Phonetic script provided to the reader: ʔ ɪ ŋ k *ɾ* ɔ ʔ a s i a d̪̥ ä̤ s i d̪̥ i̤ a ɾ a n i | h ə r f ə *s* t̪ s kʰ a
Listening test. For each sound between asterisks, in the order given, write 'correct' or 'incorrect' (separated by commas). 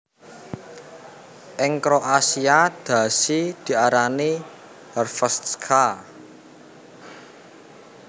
correct, correct